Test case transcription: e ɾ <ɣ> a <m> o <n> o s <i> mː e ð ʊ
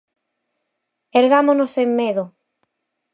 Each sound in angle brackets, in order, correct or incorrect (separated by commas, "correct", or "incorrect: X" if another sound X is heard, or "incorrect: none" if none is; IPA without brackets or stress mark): correct, correct, correct, incorrect: e